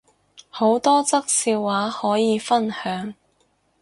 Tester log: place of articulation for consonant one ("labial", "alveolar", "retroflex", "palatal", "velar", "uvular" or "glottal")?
glottal